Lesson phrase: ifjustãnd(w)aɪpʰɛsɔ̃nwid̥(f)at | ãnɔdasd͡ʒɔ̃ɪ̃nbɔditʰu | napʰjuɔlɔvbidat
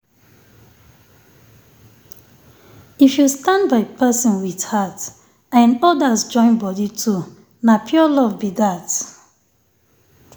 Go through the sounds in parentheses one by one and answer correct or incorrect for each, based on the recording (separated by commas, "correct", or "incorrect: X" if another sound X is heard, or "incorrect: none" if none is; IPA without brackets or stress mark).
incorrect: b, incorrect: h